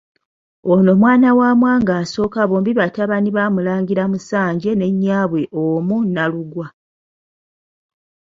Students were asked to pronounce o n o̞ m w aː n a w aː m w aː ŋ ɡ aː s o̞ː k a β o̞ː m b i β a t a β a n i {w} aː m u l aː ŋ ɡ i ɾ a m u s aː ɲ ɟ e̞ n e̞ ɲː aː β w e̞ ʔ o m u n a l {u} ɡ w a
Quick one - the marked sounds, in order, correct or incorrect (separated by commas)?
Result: incorrect, correct